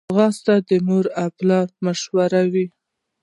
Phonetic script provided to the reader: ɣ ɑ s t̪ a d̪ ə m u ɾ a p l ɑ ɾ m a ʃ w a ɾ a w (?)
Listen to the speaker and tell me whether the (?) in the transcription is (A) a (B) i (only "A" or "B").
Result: B